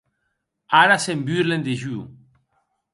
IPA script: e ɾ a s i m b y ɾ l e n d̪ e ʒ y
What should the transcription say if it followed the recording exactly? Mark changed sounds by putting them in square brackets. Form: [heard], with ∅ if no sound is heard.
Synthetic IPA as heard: [a] ɾ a s [e] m b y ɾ l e n d̪ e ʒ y